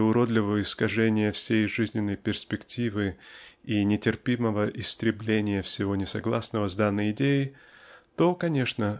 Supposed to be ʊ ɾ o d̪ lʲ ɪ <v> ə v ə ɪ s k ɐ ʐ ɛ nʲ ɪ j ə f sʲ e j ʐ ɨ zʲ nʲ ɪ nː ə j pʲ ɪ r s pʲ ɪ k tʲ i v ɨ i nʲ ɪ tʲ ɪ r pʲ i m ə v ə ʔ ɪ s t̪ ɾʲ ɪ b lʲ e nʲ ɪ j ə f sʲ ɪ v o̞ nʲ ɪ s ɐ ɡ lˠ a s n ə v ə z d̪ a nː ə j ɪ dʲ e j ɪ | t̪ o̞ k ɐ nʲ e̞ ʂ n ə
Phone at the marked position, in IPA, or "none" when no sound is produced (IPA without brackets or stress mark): v